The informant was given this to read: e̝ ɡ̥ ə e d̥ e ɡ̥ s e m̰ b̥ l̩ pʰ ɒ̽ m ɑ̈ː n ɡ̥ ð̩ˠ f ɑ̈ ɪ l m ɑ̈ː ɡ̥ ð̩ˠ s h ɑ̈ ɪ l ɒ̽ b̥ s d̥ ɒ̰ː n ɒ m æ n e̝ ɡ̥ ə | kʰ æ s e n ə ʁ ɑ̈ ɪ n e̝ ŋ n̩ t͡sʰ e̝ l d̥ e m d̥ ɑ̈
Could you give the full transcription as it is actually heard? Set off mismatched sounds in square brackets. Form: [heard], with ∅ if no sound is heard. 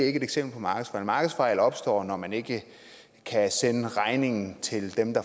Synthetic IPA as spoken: e̝ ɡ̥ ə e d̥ e ɡ̥ s e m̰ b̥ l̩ pʰ ɒ̽ m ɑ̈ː [∅] ɡ̥ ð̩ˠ f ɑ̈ ɪ l m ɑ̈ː ɡ̥ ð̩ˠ s [f] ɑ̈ ɪ l ɒ̽ b̥ s d̥ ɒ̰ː n ɒ m æ n e̝ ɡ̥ ə | kʰ æ s e n ə ʁ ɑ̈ ɪ n e̝ ŋ n̩ t͡sʰ e̝ l d̥ e m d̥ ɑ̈